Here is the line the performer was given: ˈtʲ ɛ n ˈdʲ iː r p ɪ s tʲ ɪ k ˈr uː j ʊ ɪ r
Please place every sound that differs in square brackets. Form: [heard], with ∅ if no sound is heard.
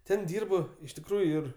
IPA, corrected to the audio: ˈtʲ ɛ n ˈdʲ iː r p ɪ [ʃ] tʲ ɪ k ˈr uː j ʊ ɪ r